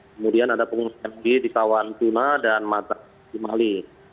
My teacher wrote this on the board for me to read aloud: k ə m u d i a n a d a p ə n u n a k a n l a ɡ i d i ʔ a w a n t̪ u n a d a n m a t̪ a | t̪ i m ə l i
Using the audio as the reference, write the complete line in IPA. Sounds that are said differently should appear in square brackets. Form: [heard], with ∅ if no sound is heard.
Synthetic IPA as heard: k ə m u d i a n a d a p ə [ŋ] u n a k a n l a ɡ i d i [k] a w a n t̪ u n a d a n m a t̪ a | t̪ i m [a] l i